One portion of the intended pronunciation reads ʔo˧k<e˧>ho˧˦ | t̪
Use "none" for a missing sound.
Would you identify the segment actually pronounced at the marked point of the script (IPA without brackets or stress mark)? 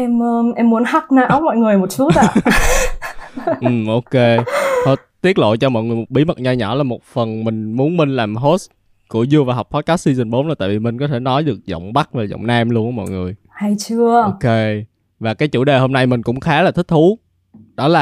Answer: e˧